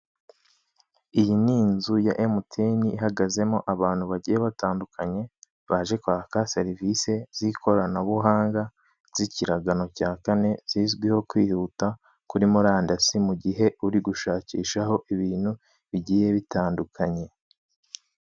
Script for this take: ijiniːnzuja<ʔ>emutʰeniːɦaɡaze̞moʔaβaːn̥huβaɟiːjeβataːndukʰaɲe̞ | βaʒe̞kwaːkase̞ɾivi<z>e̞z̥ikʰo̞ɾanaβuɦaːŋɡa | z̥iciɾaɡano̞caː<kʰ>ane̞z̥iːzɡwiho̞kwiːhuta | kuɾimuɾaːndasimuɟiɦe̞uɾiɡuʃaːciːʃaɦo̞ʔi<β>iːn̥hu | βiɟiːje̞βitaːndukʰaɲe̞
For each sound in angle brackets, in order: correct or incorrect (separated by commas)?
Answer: correct, incorrect, incorrect, correct